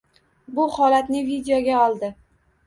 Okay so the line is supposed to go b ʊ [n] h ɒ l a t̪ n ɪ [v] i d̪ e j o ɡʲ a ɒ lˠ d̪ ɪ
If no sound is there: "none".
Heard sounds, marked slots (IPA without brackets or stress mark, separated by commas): none, v